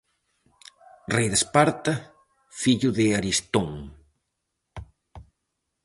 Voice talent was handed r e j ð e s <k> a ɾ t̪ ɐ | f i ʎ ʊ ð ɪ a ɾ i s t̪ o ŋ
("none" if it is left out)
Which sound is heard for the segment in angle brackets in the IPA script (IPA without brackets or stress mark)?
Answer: p